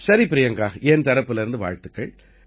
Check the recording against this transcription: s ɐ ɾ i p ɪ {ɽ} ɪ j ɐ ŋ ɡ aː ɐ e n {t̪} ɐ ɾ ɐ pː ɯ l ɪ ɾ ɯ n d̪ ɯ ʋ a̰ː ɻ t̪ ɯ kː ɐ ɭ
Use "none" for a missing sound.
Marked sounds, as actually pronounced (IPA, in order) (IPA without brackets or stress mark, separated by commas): ɾ, t̪